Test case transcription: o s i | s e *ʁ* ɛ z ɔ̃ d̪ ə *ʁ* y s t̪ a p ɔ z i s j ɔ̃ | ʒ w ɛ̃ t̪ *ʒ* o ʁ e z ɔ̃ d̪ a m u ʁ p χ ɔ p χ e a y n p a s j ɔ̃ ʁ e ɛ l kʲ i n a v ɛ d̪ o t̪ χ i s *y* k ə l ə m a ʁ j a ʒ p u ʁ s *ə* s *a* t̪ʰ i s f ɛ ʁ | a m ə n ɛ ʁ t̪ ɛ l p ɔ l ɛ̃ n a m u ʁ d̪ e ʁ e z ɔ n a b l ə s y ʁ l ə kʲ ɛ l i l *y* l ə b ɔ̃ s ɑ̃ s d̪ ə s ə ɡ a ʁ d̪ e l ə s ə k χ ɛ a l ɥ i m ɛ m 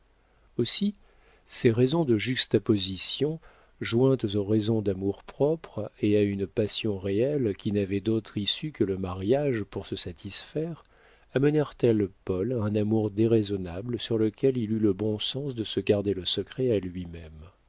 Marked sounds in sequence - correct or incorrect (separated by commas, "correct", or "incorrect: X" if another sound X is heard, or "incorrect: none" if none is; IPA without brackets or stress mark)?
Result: correct, incorrect: ʒ, incorrect: z, correct, correct, correct, correct